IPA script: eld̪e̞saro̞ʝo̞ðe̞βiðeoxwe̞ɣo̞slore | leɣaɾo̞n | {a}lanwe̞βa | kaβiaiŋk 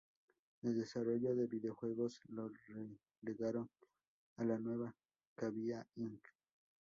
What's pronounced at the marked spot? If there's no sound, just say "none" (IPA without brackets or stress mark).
a